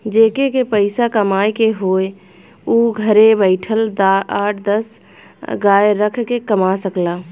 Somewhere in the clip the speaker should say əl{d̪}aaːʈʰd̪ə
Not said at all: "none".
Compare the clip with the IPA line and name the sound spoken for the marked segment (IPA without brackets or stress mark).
d̪